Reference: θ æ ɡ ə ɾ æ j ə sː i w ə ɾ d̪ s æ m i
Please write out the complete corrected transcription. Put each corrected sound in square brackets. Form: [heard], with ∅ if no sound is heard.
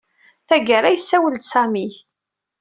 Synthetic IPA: θ æ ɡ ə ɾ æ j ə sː [æ] w ə [l] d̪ s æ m i